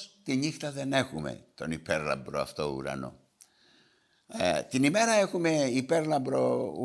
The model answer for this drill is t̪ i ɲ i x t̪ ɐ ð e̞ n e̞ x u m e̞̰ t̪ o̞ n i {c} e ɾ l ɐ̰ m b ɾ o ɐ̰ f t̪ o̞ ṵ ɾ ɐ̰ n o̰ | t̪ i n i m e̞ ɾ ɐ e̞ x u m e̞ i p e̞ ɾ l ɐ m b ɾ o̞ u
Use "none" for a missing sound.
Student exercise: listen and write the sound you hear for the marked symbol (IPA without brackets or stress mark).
p